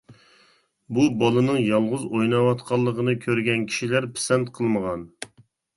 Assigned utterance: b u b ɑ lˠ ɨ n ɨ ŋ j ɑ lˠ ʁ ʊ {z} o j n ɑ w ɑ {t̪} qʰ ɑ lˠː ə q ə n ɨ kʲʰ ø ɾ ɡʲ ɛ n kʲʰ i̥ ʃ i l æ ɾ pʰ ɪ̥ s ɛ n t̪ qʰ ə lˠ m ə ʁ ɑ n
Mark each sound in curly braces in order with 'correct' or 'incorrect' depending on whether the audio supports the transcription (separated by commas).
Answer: correct, correct